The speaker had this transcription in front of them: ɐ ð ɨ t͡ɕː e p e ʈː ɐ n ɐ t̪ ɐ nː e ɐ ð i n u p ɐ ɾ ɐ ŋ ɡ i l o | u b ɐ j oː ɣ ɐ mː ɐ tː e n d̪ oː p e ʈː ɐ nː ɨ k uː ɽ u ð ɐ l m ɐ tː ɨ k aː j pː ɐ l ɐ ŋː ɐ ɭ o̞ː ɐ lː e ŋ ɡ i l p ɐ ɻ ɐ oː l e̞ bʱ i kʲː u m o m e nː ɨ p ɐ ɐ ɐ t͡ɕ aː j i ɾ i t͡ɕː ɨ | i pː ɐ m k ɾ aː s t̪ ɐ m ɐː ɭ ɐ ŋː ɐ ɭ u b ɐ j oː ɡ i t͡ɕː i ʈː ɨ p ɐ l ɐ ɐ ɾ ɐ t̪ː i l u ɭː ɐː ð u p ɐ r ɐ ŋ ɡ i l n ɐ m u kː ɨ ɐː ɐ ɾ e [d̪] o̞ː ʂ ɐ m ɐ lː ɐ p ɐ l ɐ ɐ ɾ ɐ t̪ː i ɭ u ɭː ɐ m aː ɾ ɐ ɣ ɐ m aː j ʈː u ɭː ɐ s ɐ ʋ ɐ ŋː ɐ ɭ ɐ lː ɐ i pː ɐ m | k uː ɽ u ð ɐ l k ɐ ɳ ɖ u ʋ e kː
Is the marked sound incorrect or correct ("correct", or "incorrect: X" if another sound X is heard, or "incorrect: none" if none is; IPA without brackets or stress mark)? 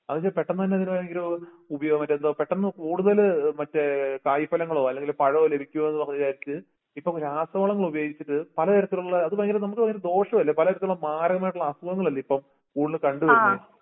correct